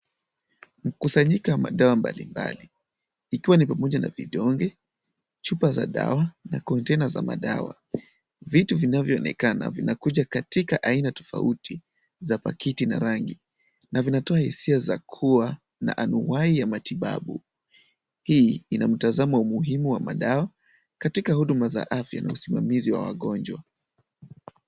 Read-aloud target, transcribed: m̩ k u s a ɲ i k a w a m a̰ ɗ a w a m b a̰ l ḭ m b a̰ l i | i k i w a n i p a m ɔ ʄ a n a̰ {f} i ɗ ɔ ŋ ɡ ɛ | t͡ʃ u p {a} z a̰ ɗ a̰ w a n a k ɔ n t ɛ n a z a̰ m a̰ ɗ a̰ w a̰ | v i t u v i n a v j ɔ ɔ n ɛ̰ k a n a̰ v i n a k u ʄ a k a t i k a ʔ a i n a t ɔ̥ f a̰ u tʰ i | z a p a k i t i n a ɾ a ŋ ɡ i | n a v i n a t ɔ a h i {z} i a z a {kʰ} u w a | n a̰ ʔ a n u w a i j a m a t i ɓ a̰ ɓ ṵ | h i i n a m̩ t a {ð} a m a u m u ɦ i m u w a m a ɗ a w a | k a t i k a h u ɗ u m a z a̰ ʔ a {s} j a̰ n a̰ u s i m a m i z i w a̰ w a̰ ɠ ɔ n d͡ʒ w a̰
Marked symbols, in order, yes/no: no, yes, no, yes, no, no

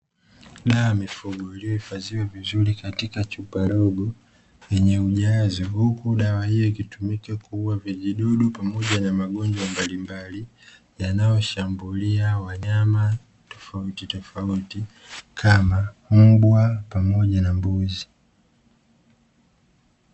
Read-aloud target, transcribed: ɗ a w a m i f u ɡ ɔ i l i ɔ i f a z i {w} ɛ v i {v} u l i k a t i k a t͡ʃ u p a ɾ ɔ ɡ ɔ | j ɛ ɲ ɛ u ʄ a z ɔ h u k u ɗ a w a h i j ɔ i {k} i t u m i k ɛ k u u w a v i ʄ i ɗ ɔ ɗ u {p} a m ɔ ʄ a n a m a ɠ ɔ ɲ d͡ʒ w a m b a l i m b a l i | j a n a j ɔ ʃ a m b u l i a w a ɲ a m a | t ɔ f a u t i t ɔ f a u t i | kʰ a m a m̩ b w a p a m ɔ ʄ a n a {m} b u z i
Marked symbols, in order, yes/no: yes, no, yes, yes, yes

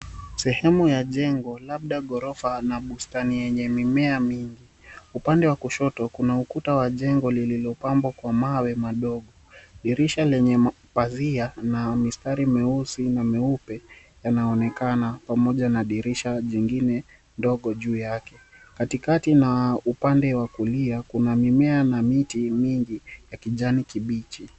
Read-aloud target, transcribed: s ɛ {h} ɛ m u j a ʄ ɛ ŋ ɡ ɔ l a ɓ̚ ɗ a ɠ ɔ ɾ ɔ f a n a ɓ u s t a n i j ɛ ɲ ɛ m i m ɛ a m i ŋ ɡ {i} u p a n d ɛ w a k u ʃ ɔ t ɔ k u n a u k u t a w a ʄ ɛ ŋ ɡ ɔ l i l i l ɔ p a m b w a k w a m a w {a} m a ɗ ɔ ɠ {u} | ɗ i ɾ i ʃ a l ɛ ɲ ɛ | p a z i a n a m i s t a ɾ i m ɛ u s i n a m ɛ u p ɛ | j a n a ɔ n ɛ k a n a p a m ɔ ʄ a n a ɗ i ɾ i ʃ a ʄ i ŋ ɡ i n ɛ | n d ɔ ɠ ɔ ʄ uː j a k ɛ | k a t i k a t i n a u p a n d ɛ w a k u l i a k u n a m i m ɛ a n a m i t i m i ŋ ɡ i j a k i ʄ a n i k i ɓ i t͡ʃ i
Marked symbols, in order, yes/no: yes, yes, no, no

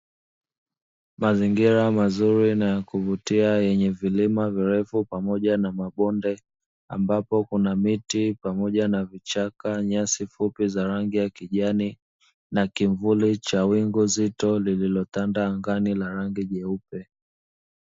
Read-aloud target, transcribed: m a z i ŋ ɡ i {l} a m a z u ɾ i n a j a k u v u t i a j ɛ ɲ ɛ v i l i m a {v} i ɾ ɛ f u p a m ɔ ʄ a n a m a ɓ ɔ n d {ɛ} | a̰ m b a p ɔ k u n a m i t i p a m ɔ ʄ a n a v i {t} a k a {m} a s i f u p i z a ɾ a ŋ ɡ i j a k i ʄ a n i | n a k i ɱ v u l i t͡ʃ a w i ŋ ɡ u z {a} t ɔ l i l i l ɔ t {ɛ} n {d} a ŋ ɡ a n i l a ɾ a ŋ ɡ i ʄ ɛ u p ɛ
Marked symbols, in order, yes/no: no, yes, yes, no, no, no, no, yes

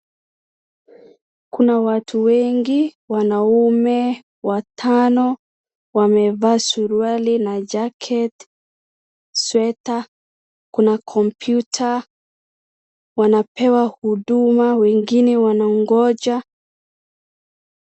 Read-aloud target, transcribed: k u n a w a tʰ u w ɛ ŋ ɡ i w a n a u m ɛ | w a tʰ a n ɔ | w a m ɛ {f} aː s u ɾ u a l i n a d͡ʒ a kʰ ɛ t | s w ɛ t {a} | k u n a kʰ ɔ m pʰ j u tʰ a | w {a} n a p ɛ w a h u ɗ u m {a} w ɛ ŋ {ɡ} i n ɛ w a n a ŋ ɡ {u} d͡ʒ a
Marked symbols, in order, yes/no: no, yes, yes, yes, yes, no

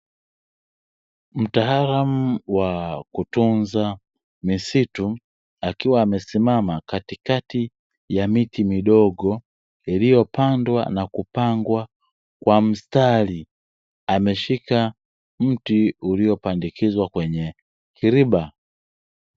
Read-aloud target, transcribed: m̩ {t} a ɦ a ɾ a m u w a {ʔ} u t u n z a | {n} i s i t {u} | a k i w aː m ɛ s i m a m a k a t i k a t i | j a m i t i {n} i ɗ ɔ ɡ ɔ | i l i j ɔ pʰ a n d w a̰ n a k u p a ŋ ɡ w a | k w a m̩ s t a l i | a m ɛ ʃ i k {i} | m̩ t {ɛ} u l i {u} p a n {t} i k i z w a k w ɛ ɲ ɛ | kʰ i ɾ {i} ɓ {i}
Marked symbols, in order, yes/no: yes, no, no, yes, no, no, no, no, no, yes, no

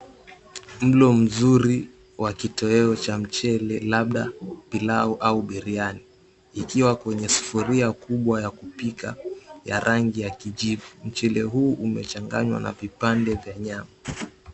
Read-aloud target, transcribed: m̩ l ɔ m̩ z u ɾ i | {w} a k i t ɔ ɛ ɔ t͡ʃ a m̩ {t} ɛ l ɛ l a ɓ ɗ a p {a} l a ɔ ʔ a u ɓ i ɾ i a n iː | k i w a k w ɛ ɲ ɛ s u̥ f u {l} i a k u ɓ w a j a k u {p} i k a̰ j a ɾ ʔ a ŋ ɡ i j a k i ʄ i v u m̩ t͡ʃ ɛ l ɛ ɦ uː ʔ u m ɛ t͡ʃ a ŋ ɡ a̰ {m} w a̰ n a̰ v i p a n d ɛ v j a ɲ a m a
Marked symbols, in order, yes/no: yes, no, no, no, yes, no

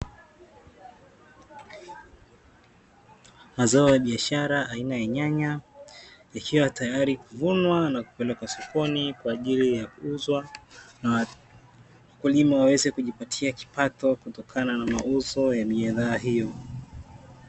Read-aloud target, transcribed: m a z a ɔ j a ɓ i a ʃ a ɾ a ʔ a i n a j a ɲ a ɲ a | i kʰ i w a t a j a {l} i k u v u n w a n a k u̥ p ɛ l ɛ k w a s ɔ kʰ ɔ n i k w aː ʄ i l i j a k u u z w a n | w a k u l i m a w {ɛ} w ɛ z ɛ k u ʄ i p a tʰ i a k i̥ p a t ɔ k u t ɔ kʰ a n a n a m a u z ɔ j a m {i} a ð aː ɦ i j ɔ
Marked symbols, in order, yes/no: no, no, yes

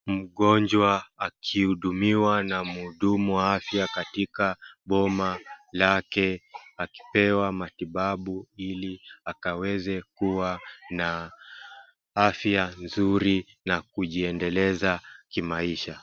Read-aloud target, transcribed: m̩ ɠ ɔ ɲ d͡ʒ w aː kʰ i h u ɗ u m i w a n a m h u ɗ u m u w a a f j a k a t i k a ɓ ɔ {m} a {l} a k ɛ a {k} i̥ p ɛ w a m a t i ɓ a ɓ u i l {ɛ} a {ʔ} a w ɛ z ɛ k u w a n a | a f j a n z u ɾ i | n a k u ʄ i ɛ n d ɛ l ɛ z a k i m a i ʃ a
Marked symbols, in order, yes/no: yes, yes, yes, no, no

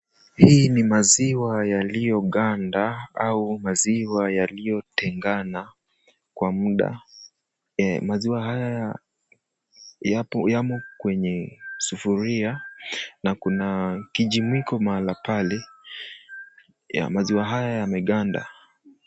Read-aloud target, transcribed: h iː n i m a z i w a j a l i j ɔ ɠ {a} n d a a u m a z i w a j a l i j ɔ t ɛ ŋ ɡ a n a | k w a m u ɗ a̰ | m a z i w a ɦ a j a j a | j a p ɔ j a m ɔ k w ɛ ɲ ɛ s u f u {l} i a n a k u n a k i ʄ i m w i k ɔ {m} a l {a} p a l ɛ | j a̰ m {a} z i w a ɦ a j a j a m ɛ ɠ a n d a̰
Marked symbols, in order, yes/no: yes, no, yes, yes, yes

